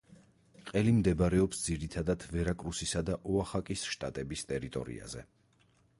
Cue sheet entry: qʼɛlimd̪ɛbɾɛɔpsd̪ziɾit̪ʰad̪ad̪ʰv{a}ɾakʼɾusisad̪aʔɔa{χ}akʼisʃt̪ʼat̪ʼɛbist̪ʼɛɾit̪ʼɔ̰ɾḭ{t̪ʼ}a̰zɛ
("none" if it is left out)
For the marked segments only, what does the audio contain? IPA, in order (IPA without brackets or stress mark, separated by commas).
ɛ, χ, none